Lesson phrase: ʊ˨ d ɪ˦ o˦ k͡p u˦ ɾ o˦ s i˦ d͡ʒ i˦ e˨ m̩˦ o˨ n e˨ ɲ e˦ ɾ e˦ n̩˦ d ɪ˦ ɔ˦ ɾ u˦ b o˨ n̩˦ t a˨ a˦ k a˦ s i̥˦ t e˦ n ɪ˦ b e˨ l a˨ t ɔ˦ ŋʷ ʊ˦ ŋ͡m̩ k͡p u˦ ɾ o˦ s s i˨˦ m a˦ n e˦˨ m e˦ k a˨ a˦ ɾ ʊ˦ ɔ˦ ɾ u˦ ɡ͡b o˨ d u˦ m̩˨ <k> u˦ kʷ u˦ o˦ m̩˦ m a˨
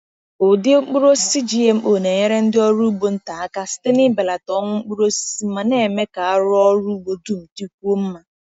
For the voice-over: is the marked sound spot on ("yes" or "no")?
no